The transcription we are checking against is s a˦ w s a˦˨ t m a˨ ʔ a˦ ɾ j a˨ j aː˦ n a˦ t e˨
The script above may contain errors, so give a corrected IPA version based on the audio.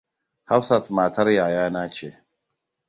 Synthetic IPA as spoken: h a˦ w s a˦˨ t m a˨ t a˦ ɾ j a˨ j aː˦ n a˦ t͡ʃ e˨